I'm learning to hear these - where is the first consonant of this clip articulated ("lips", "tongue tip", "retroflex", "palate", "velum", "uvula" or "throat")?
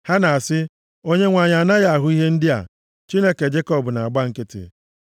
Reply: throat